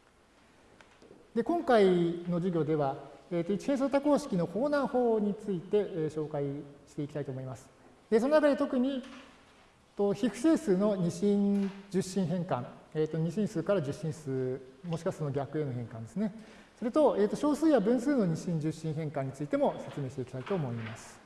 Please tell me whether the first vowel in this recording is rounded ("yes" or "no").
no